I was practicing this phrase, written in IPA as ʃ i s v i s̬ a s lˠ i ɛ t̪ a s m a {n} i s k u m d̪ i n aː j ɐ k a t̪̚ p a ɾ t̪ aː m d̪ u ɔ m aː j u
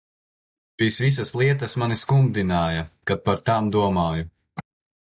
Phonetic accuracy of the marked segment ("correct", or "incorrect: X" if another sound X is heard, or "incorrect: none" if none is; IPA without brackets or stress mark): correct